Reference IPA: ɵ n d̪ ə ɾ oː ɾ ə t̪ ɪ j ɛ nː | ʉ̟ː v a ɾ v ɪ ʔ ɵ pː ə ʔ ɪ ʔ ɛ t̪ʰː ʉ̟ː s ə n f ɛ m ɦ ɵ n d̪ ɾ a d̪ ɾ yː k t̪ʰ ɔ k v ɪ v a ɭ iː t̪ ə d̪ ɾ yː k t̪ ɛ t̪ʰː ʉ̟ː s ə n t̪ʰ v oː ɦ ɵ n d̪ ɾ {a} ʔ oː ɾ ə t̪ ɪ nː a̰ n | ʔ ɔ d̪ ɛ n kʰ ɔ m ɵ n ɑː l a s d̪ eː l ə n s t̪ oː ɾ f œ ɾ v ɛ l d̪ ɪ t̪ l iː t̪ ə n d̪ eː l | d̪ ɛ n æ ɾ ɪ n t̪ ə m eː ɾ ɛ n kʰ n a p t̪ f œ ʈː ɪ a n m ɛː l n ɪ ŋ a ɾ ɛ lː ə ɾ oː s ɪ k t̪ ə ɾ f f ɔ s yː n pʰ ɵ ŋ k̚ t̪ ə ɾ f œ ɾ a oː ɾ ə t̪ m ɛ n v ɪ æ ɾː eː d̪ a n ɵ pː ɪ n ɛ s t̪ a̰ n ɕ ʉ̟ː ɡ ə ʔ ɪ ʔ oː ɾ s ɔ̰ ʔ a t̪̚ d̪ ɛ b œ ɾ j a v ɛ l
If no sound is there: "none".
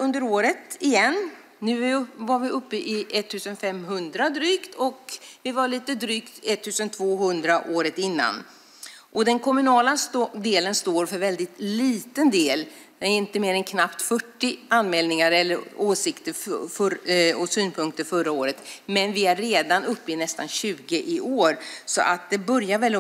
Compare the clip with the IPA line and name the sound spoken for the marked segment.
a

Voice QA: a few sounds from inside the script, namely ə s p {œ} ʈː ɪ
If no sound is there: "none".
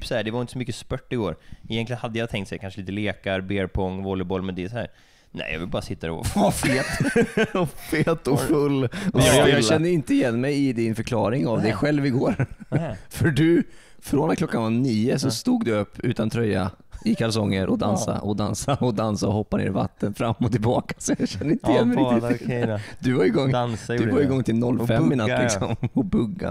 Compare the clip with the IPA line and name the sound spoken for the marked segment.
œ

